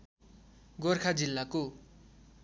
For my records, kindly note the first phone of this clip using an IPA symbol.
ɡ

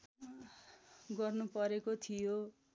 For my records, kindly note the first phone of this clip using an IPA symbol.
ɡ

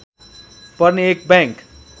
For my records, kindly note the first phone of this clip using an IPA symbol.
p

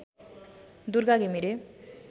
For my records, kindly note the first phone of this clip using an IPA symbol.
d̪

